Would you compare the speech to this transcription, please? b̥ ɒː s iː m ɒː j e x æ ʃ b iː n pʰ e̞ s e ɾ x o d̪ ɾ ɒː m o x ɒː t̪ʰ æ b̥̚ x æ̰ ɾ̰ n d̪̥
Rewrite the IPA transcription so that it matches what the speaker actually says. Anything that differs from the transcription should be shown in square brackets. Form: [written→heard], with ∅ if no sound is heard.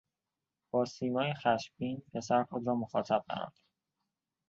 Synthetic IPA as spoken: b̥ ɒː s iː m ɒː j e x æ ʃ b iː n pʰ e̞ s [e→æ] ɾ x o d̪ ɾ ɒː m o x ɒː t̪ʰ æ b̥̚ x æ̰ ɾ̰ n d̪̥